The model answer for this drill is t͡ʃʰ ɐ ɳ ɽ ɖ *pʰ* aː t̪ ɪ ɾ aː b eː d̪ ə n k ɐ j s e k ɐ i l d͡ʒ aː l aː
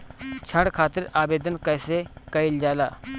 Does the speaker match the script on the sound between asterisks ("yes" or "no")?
no